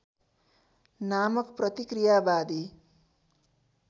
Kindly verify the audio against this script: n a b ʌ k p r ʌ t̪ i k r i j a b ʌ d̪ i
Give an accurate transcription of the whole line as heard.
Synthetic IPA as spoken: n a m ʌ k p r ʌ t̪ i k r i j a b a d̪ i